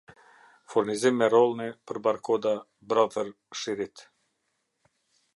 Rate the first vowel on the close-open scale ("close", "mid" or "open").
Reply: close